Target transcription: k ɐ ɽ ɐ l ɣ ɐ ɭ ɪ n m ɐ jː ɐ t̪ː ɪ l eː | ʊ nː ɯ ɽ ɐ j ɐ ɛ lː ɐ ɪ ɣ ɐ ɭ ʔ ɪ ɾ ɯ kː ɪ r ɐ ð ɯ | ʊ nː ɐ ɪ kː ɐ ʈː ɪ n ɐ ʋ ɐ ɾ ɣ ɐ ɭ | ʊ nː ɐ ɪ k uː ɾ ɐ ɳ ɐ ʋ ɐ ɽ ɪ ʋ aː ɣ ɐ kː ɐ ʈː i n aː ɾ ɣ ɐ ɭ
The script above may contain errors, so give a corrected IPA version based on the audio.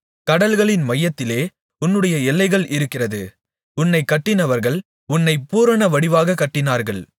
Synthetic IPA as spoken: k ɐ ɽ ɐ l ɣ ɐ ɭ ɪ n m ɐ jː ɐ t̪ː ɪ l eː | ʊ nː ɯ ɽ ɐ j ɐ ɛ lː ɐ ɪ ɣ ɐ ɭ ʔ ɪ ɾ ɯ kː ɪ r ɐ ð ɯ | ʊ nː ɐ ɪ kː ɐ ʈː ɪ n ɐ ʋ ɐ ɾ ɣ ɐ ɭ | ʊ nː ɐ ɪ p uː ɾ ɐ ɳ ɐ ʋ ɐ ɽ ɪ ʋ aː ɣ ɐ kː ɐ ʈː ɪ n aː ɾ ɣ ɐ ɭ